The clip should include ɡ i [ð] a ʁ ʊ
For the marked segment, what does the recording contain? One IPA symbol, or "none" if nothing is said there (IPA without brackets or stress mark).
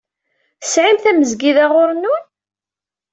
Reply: ð